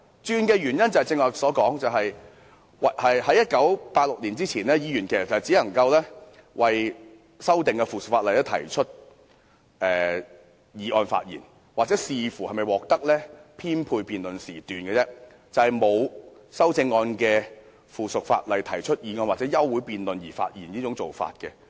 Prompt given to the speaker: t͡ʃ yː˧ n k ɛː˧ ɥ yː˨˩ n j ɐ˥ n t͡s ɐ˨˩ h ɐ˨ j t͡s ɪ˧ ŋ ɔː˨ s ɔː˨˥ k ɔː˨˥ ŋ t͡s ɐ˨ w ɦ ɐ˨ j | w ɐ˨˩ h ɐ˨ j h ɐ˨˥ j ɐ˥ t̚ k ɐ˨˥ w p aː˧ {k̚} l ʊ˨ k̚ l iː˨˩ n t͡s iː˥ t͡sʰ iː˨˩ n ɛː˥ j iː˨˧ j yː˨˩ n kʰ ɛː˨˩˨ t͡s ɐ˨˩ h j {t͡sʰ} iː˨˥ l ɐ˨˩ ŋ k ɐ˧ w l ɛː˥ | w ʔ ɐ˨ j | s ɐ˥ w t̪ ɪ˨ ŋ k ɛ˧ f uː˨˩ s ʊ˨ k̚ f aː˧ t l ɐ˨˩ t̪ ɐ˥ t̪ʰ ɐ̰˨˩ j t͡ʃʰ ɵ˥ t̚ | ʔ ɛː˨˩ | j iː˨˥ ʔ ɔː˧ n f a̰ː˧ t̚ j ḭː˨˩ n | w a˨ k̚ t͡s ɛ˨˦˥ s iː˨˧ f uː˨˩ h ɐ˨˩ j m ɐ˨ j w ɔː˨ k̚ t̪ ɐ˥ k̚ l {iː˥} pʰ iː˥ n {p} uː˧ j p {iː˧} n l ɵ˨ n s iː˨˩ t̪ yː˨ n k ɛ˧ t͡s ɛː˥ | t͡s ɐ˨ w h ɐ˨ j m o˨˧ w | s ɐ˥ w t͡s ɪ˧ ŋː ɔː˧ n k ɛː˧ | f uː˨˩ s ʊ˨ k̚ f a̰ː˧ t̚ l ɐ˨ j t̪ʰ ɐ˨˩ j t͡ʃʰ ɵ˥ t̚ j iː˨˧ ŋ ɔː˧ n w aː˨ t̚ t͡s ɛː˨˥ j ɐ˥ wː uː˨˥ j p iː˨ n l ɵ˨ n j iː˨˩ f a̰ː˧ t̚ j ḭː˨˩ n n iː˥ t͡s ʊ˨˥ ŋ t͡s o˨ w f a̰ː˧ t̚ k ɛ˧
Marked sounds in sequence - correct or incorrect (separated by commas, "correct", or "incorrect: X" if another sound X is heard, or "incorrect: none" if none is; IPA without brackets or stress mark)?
incorrect: t̚, incorrect: t͡s, incorrect: ɛː˥, incorrect: pʰ, correct